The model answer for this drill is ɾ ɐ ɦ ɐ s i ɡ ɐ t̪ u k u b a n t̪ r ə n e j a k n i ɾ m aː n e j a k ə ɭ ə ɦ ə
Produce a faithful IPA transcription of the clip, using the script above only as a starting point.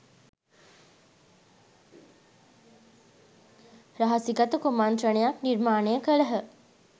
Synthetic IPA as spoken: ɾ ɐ ɦ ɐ s i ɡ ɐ t̪ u k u m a n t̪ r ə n e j a k n i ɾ m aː n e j ə k ə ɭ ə ɦ ə